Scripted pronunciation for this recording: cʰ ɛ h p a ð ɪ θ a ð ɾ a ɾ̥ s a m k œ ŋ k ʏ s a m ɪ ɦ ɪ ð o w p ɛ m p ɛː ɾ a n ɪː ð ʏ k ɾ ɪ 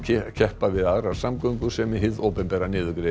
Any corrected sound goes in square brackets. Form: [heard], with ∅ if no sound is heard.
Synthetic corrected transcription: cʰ ɛ h p a [v] ɪ [ð] a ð ɾ a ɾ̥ s a m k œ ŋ k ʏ s [ɛ] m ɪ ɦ ɪ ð o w p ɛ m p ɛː ɾ a n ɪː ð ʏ k ɾ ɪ

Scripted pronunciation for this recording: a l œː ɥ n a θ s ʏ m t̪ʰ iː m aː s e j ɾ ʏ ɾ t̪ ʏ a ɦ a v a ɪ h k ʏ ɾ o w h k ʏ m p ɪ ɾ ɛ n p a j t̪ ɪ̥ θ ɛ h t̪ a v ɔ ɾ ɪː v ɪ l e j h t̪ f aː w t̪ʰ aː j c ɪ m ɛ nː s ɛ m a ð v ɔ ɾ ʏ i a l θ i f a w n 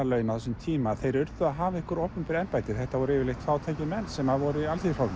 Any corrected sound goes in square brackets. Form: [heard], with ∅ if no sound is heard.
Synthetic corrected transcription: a l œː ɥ n a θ s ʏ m t̪ʰ iː m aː [θ] e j ɾ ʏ ɾ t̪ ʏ a ɦ a v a ɪ h k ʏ ɾ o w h [p] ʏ m p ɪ ɾ ɛ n p a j t̪ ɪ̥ θ ɛ h t̪ a v ɔ ɾ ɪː v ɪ l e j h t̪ f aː w t̪ʰ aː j c ɪ m ɛ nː s ɛ m a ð v ɔ ɾ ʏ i a l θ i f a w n

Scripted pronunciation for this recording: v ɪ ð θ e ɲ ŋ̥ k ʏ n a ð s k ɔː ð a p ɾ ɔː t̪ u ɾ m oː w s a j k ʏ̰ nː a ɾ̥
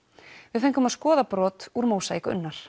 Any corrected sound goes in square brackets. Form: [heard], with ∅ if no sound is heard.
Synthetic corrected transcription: v ɪ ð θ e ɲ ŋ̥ k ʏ [m] a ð s k ɔː ð a p ɾ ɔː t̪ u ɾ m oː w s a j k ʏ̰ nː a ɾ̥

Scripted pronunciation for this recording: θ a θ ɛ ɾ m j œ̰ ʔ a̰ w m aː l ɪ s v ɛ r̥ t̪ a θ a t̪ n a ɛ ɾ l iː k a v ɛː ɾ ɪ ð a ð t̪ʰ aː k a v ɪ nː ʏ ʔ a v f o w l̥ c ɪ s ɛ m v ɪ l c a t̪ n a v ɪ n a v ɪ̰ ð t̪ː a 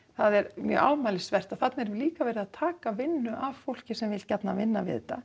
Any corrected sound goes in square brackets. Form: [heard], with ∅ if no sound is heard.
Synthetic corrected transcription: θ a [ð] ɛ ɾ m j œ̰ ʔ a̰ w m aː l ɪ s v ɛ r̥ t̪ a θ a t̪ n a ɛ ɾ l iː k a v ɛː ɾ ɪ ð a ð t̪ʰ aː k a v ɪ nː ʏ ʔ a v f o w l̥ c ɪ s ɛ m v ɪ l c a t̪ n a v ɪ [nː] a v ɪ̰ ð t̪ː a

